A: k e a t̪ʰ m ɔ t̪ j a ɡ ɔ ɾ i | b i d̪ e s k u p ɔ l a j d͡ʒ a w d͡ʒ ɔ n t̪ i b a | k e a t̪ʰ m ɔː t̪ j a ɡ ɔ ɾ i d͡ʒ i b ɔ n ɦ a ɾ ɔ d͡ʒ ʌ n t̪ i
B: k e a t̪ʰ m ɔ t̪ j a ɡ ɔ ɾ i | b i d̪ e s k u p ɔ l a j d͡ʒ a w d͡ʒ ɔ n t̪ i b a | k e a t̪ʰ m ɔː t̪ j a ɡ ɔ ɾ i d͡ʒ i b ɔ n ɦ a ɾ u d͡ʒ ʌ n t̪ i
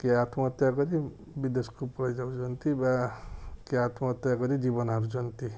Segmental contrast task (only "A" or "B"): B